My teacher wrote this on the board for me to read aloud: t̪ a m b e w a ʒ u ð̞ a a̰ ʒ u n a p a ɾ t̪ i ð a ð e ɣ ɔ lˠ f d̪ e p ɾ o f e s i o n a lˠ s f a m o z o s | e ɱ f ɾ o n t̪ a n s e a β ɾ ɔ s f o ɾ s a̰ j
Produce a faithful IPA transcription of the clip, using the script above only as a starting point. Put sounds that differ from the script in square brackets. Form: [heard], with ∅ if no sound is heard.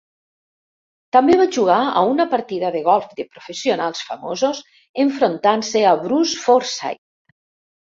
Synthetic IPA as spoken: t̪ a m b e [β] a ʒ u [ɣ̞] a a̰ [∅] u n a p a ɾ t̪ i ð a ð e ɣ ɔ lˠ f d̪ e p ɾ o f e s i o n a lˠ s f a m o z o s | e ɱ f ɾ o n t̪ a n s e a β ɾ [u] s f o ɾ s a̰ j